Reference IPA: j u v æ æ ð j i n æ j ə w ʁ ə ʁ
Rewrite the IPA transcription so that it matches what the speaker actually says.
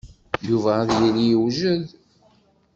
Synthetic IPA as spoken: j u v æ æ ð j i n i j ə w ʒ ə ð